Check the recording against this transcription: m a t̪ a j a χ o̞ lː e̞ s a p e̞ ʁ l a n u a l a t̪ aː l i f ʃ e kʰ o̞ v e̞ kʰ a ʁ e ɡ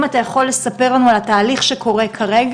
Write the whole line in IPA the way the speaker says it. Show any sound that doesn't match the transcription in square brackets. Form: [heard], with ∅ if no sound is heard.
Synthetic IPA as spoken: m a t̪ a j a χ o̞ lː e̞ s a p e̞ ʁ l a n u a l a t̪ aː l i [χ] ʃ e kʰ o̞ [ʁ] e̞ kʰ a ʁ e ɡ